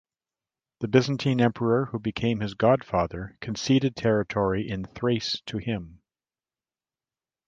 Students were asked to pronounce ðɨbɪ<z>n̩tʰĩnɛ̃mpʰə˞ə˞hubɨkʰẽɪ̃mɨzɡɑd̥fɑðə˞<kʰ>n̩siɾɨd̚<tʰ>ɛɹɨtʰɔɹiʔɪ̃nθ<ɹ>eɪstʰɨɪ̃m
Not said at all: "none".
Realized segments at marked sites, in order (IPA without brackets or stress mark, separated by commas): z, kʰ, tʰ, ɹ